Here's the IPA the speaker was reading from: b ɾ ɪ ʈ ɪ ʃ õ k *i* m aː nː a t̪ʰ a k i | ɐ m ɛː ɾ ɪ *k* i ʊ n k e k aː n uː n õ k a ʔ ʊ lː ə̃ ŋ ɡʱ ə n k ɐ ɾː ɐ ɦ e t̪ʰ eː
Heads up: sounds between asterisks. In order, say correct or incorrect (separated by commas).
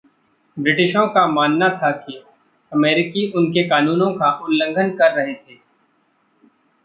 incorrect, correct